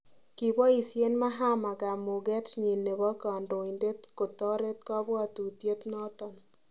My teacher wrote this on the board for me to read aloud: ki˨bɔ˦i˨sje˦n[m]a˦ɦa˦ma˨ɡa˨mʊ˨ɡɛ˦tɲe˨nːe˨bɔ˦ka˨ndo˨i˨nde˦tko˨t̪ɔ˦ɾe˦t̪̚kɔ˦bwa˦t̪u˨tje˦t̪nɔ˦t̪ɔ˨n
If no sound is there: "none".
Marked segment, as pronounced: m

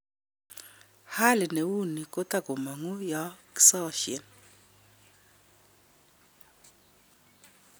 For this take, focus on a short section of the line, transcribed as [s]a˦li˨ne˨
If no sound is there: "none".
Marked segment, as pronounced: h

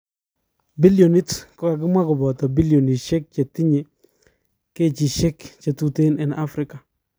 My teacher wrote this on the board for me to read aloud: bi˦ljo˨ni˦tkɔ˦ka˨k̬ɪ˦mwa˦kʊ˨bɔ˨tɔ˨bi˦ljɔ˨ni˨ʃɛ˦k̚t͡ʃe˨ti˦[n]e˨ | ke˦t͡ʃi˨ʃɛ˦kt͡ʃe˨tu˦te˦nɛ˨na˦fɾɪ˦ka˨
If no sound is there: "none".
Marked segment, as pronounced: ɲ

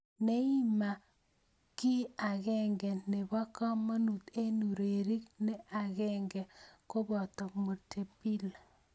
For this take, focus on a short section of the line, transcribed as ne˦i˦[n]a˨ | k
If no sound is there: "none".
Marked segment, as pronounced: m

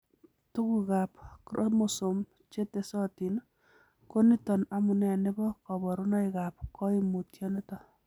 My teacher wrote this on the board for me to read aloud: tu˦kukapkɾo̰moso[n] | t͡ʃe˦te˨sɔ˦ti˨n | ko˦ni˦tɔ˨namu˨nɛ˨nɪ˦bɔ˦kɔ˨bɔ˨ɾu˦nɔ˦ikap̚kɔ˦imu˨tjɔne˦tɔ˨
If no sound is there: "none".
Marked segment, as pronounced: m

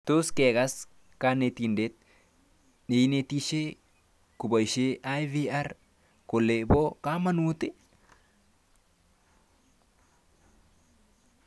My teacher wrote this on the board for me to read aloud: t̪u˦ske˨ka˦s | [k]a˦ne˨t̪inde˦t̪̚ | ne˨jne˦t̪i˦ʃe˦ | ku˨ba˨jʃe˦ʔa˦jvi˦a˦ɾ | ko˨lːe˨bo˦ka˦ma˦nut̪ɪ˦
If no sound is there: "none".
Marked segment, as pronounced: k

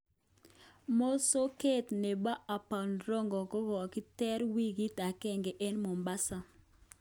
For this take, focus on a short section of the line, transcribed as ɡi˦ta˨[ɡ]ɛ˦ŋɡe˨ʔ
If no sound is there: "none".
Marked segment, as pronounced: k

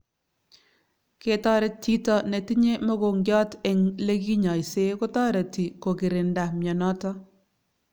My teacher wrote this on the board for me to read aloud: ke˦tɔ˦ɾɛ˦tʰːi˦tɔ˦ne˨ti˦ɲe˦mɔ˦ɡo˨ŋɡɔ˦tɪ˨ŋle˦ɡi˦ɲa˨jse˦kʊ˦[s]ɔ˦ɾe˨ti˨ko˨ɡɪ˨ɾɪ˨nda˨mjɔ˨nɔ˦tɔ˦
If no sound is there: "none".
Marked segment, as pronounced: t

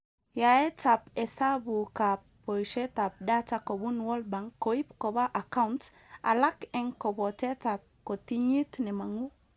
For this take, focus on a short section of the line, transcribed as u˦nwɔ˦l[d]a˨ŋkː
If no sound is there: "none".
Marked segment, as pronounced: b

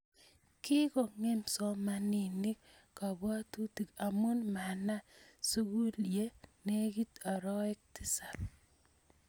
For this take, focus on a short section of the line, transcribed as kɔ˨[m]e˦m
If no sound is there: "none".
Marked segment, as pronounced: ŋ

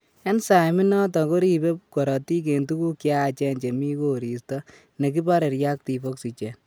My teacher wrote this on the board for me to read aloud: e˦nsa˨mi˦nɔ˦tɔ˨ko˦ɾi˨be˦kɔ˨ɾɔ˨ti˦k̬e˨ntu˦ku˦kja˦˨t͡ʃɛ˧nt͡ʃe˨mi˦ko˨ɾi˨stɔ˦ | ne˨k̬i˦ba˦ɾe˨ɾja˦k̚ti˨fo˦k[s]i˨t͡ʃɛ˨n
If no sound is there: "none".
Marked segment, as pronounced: s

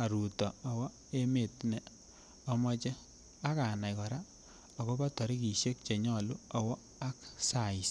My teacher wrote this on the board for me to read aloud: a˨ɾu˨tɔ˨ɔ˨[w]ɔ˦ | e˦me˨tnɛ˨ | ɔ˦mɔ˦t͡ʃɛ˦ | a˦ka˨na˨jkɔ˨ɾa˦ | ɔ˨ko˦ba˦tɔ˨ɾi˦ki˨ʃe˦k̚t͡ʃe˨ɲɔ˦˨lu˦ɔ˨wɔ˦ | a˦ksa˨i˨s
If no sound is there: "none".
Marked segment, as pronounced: w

